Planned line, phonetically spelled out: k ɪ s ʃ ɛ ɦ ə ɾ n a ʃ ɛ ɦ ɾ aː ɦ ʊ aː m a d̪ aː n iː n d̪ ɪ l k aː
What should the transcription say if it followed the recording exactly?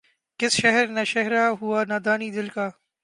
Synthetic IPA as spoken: k ɪ s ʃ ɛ ɦ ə ɾ n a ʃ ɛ ɦ ɾ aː ɦ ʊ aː n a d̪ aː n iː d̪ ɪ l k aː